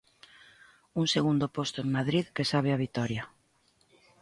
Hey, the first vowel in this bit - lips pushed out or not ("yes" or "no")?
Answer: yes